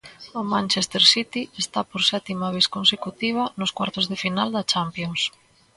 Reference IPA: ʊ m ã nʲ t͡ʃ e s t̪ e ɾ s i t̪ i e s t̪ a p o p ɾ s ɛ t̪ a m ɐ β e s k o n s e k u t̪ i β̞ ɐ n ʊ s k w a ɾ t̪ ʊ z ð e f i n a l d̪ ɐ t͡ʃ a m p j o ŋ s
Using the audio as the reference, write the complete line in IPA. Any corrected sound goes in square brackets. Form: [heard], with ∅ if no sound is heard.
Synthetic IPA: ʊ m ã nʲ t͡ʃ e s t̪ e ɾ s i t̪ i e s t̪ a p o [∅] ɾ s ɛ t̪ [i] m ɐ β e s k o n s e k u t̪ i β̞ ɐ n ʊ s k w a ɾ t̪ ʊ z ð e f i n a l d̪ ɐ t͡ʃ a m p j o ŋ s